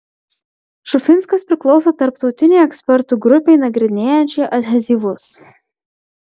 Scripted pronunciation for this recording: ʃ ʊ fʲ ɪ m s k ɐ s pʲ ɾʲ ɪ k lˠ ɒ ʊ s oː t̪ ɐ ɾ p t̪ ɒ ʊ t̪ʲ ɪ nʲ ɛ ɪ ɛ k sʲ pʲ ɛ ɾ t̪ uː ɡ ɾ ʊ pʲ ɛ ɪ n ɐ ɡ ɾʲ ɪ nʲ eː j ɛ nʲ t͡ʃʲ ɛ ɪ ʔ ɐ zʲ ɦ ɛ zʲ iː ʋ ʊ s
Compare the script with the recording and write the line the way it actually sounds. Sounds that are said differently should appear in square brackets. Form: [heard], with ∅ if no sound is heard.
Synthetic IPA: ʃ ʊ fʲ ɪ [n] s k ɐ s pʲ ɾʲ ɪ k lˠ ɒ ʊ s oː t̪ ɐ ɾ p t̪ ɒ ʊ t̪ʲ ɪ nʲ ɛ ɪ ɛ k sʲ pʲ ɛ ɾ t̪ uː ɡ ɾ ʊ pʲ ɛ ɪ n ɐ ɡ ɾʲ ɪ nʲ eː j ɛ nʲ t͡ʃʲ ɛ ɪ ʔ ɐ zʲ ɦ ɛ zʲ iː ʋ ʊ s